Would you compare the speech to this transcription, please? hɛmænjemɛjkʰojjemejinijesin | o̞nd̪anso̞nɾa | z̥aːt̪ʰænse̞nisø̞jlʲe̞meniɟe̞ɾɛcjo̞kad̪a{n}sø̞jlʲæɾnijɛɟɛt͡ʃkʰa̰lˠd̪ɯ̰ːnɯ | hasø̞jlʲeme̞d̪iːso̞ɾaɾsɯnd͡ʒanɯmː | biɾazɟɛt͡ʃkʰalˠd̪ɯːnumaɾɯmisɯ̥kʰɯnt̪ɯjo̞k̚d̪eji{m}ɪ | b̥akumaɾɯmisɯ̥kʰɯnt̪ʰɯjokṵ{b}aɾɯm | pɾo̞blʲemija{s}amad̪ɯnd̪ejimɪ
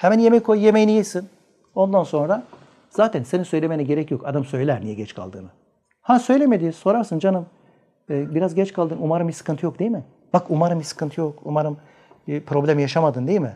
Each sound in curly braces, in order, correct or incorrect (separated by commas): incorrect, correct, incorrect, incorrect